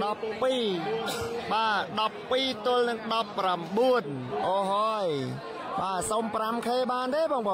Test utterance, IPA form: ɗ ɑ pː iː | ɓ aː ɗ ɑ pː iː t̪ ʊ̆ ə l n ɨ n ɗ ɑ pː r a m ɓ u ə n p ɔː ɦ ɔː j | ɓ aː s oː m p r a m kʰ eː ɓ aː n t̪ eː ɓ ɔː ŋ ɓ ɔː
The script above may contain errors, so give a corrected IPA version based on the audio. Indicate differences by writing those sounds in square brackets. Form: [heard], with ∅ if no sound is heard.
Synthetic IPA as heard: ɗ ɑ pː iː | ɓ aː ɗ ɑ pː iː t̪ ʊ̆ ə l n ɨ [ŋ] ɗ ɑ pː r a m ɓ u ə n [ʔ] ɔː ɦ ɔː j | ɓ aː s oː m p r a m kʰ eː ɓ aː n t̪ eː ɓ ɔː ŋ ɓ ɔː